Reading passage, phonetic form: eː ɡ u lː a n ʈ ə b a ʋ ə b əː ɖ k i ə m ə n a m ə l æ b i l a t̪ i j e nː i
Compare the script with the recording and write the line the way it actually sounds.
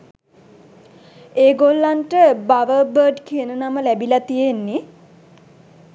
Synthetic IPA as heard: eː ɡ o lː a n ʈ ə b a ʋ ə b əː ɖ k i ə n ə n a m ə l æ b i l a t̪ i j e nː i